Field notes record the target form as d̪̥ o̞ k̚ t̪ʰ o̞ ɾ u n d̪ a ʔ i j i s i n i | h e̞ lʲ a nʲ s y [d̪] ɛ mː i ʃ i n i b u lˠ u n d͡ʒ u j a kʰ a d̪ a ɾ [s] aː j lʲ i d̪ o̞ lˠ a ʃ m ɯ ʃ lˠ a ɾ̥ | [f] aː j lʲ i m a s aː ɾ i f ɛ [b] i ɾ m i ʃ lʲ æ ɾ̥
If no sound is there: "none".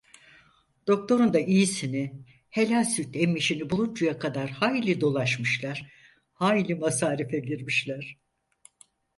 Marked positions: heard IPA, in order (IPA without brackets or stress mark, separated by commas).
t̪, h, h, ɟ